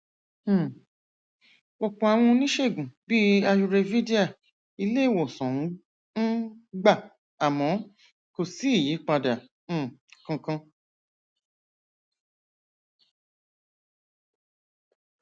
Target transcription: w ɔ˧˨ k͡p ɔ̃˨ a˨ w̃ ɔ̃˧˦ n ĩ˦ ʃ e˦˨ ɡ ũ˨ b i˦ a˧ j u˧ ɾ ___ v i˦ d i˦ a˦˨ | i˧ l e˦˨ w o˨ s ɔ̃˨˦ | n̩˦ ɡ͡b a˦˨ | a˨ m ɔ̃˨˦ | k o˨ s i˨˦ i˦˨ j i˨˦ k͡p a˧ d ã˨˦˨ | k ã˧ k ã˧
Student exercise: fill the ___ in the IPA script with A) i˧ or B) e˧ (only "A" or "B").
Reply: B